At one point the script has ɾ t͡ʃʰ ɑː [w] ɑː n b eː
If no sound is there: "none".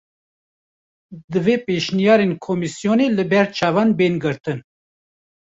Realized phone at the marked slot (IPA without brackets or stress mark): v